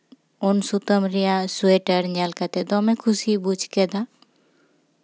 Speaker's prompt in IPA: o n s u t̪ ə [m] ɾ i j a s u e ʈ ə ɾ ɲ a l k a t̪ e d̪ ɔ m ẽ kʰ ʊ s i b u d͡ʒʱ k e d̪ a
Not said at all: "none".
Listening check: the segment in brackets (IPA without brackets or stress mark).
m